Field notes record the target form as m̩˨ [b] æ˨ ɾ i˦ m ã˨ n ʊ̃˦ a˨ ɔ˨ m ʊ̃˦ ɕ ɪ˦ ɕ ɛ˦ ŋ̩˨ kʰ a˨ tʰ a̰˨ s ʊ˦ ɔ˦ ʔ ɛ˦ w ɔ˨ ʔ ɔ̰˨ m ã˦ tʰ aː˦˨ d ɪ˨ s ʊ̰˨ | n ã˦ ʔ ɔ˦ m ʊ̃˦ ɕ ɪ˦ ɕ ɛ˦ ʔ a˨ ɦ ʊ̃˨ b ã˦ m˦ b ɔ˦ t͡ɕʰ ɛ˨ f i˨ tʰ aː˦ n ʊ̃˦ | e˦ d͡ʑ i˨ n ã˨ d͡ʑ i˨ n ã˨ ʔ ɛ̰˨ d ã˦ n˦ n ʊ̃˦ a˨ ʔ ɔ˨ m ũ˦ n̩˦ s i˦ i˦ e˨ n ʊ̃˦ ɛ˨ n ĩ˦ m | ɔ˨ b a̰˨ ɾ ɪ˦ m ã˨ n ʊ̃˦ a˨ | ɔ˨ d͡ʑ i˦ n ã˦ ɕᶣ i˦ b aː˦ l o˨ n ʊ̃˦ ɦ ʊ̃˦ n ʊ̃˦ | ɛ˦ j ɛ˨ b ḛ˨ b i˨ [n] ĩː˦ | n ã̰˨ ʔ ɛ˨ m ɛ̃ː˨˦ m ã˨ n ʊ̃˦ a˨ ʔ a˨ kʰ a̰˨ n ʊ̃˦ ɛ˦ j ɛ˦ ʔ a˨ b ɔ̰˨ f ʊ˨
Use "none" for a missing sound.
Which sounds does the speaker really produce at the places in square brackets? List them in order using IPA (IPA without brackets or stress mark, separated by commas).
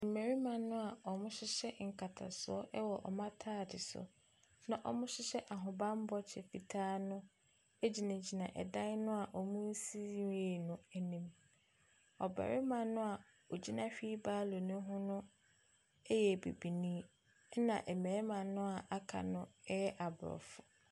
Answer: m, n